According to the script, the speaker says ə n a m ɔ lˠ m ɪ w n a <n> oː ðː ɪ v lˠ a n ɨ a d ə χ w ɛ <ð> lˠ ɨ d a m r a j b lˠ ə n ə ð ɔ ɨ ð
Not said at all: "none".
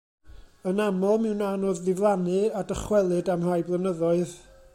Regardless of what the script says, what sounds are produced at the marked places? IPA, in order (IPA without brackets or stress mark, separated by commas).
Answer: n, none